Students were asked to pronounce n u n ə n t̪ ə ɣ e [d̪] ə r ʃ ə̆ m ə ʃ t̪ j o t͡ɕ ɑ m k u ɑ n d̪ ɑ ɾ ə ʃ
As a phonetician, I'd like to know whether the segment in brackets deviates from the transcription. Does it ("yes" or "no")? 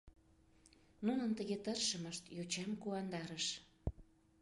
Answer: yes